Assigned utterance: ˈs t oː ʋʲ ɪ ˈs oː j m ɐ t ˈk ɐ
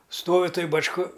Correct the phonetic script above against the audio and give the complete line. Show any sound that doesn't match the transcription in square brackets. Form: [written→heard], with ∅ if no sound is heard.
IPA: ˈs t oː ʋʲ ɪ [ˈs→ˈt] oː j [m→b] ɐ [t→t͡ʃ] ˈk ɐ

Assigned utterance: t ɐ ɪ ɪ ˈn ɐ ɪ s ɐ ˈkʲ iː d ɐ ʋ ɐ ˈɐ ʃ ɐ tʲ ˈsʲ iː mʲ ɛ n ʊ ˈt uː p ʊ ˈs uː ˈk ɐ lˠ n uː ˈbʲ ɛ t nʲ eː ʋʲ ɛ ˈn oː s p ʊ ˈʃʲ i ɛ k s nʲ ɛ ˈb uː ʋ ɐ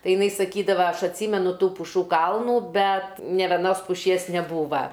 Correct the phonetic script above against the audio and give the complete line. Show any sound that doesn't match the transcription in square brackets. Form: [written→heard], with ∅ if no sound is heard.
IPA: t ɐ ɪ ɪ ˈn ɐ ɪ s ɐ ˈkʲ iː d ɐ ʋ ɐ ˈɐ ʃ ɐ tʲ ˈsʲ iː mʲ ɛ n ʊ ˈt uː p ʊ [ˈs→ˈʃ] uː ˈk ɐ lˠ n uː ˈbʲ ɛ t nʲ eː ʋʲ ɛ ˈn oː s p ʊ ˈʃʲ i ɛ [k→∅] s nʲ ɛ ˈb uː ʋ ɐ

